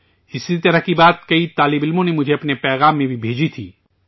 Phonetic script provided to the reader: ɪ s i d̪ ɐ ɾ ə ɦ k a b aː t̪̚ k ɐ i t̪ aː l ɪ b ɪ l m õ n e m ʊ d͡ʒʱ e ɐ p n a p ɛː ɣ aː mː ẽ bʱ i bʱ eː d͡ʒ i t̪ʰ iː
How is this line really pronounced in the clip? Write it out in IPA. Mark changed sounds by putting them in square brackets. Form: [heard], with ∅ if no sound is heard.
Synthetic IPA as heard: ɪ s i [t̪] ɐ ɾ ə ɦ k [i] b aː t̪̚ k ɐ i t̪ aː l ɪ b ɪ l m õ n e m ʊ d͡ʒʱ e ɐ p n [e] p ɛː ɣ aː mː ẽ bʱ i bʱ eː d͡ʒ i t̪ʰ iː

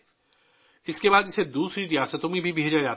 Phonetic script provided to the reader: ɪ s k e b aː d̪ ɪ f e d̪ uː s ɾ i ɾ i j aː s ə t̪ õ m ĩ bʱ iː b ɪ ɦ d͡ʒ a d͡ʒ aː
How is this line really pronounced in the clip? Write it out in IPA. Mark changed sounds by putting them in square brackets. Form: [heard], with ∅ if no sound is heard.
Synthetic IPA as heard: ɪ s k e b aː d̪ ɪ [s] e d̪ uː s ɾ i ɾ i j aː s ə t̪ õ m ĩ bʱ [i] b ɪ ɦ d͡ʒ a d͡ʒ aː

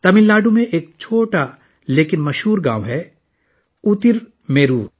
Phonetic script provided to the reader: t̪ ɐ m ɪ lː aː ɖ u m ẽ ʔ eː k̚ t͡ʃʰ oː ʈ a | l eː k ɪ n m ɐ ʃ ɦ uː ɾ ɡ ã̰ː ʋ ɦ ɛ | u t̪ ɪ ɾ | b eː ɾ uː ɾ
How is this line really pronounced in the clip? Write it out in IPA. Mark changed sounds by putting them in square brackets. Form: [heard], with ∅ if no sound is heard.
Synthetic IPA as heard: t̪ ɐ m ɪ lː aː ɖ u m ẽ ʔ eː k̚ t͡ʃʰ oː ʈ a | l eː k ɪ n m ɐ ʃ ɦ uː ɾ ɡ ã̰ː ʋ ɦ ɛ | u t̪ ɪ ɾ | [m] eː ɾ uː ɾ

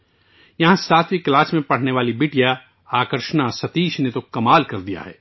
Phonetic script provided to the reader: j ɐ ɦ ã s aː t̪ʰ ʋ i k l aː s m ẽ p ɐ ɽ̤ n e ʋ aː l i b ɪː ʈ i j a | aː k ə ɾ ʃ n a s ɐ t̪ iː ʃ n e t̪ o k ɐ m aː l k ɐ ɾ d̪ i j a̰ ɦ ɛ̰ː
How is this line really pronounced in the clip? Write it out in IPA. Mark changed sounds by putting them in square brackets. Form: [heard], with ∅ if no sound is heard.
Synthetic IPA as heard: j ɐ ɦ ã s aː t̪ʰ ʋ i k l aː s m ẽ p ɐ ɽ̤ n e ʋ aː l i b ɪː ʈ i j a | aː k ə ɾ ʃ n a s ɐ t̪ iː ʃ n e t̪ o k ɐ m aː l k ɐ ɾ d̪ i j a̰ ɦ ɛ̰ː

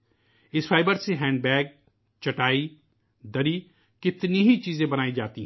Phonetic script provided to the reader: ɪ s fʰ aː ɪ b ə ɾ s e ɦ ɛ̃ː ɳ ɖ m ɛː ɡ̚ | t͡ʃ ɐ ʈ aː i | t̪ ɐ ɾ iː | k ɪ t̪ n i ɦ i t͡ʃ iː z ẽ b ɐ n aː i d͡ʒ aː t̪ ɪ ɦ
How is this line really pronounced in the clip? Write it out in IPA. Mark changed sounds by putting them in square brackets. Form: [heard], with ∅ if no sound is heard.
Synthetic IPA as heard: ɪ s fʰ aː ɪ b ə ɾ s e ɦ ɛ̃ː ɳ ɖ [b] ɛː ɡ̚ | t͡ʃ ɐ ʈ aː i | [d̪] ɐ ɾ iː | k ɪ t̪ n i ɦ i t͡ʃ iː z ẽ b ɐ n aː i d͡ʒ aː t̪ [i] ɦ

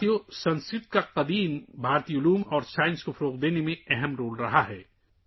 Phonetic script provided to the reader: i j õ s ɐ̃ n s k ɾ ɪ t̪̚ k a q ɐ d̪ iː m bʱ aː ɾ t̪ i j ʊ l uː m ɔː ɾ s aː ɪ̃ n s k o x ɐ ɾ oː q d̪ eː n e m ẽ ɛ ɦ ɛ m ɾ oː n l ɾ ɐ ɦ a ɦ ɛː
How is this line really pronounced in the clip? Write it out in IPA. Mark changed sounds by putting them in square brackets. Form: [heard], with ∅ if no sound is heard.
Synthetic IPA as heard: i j [o] s ɐ̃ n s k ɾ ɪ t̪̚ k a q ɐ d̪ iː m bʱ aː ɾ t̪ i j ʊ l uː m ɔː ɾ s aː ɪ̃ n s k o [f] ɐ ɾ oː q d̪ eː n e m ẽ ɛ ɦ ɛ m ɾ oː [∅] l ɾ ɐ ɦ a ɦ ɛː

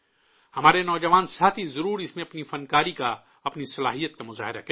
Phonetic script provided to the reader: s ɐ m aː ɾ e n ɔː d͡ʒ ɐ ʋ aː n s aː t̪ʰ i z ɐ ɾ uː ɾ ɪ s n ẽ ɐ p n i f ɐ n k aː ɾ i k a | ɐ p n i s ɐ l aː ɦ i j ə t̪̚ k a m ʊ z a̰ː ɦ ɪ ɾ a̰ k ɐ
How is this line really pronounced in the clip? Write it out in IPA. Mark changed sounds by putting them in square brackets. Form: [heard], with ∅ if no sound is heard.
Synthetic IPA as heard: [h] ɐ m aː ɾ e n ɔː d͡ʒ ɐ ʋ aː n s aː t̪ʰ i z ɐ ɾ uː ɾ ɪ s [m] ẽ ɐ p n i f ɐ n k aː ɾ i k a | ɐ p n i s ɐ l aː ɦ i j ə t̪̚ k a m ʊ z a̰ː ɦ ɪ ɾ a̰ k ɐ

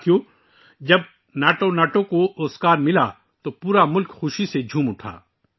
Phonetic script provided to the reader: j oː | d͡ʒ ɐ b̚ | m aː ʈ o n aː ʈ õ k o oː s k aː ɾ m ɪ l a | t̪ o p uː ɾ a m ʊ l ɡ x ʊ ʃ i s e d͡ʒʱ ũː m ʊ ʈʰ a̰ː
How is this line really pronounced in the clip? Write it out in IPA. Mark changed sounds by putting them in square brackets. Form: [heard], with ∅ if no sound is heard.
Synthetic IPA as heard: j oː | d͡ʒ ɐ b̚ | [n] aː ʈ o n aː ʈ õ k o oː s k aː ɾ m ɪ l a | t̪ o p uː ɾ a m ʊ l [k] x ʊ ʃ i s e d͡ʒʱ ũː m ʊ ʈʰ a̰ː

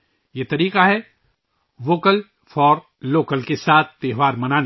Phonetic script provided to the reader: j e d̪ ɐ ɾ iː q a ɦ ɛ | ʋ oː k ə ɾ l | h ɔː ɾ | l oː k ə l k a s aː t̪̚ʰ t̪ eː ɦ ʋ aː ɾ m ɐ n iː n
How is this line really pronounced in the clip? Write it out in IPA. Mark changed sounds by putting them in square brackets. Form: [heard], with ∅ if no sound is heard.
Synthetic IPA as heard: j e [t̪] ɐ ɾ iː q a ɦ ɛ | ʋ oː k ə [∅] l | [f] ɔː ɾ | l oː k ə l k [e] s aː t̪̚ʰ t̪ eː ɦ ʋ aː ɾ m ɐ n [aː] n

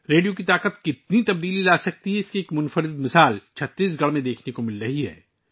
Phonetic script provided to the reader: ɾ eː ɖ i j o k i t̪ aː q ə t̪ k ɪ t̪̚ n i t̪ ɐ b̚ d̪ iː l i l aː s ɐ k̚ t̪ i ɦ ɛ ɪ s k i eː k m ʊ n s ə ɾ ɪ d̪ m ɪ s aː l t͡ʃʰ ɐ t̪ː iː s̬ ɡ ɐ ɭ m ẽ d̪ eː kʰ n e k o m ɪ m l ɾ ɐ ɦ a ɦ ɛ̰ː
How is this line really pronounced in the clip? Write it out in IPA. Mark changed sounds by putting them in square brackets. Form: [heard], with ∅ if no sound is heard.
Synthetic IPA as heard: ɾ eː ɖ i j o k i t̪ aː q ə t̪ k ɪ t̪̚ n i t̪ ɐ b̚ d̪ iː l i l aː s ɐ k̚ t̪ i ɦ ɛ ɪ s k i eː k m ʊ n [f] ə ɾ ɪ d̪ m ɪ s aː l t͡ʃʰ ɐ t̪ː iː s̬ ɡ ɐ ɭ m ẽ d̪ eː kʰ n e k o m ɪ [∅] l ɾ ɐ ɦ [i] ɦ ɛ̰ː

